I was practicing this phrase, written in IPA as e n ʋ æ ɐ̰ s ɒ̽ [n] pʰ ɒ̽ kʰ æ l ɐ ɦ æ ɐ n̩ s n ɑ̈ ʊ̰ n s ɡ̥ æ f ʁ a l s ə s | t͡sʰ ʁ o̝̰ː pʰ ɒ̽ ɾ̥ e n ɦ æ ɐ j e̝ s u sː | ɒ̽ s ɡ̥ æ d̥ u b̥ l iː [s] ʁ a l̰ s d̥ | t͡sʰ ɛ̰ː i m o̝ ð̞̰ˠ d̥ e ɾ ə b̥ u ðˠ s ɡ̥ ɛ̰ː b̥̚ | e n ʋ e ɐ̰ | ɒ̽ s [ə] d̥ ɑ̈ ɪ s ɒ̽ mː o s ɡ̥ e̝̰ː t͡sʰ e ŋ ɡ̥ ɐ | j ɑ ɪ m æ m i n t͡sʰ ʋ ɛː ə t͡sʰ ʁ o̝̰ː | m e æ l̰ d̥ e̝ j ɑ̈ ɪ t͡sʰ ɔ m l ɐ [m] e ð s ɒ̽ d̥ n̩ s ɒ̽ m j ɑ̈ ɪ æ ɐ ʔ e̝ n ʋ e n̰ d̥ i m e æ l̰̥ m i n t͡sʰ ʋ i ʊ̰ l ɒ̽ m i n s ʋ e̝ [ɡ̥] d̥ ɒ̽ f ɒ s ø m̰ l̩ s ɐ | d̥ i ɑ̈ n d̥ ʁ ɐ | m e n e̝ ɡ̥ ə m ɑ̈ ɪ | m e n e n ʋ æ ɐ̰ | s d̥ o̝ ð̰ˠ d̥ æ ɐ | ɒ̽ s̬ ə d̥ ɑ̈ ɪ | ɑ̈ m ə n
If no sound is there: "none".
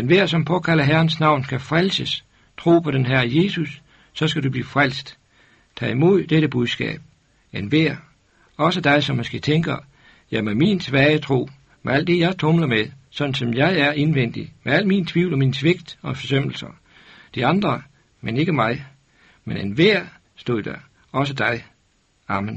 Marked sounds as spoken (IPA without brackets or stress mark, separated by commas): m, f, ə, m, ɡ̥